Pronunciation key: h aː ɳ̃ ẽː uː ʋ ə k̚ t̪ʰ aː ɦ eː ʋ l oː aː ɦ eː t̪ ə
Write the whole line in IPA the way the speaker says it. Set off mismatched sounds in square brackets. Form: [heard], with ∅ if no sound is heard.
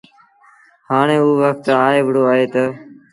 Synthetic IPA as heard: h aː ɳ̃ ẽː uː ʋ ə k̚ [t̪] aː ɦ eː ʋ [ɽ] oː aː ɦ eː t̪ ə